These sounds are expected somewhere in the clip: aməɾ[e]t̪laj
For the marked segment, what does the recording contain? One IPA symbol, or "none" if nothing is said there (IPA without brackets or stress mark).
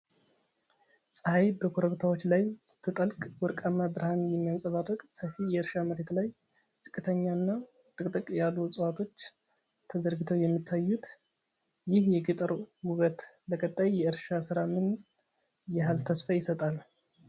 e